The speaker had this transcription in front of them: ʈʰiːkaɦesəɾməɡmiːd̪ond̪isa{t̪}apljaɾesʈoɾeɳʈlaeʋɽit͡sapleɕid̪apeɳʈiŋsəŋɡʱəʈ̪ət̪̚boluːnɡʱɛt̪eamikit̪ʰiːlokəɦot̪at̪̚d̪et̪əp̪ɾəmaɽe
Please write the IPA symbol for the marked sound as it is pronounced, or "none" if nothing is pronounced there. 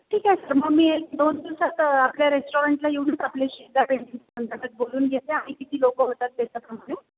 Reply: t̪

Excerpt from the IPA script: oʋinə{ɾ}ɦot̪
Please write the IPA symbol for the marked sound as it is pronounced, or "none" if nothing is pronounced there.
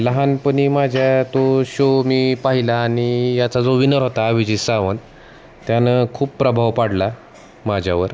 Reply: ɾ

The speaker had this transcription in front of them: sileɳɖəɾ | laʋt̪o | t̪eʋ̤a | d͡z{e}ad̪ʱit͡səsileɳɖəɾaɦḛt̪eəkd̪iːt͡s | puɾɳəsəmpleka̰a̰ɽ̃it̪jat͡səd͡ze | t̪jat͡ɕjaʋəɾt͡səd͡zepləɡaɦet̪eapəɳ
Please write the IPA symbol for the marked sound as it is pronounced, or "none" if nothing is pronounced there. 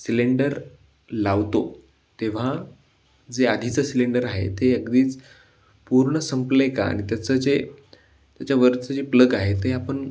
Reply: e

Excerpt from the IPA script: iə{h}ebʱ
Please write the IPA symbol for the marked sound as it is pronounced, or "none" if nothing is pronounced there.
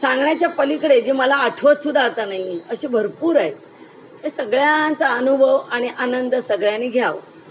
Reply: ɕ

